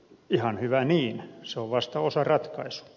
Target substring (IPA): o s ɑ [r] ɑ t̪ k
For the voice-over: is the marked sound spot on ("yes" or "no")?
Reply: yes